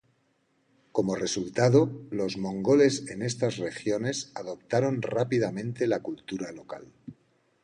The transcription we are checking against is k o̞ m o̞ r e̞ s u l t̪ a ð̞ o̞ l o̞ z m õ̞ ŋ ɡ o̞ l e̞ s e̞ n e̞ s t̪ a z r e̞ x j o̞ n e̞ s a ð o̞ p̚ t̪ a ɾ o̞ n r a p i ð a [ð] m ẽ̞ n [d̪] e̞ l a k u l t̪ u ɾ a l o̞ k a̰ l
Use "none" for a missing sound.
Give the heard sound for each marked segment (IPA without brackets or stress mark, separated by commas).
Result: none, t̪